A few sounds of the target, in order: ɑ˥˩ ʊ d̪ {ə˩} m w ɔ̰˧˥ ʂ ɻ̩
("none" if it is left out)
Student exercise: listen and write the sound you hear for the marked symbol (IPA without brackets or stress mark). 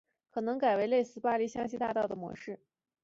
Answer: ə˩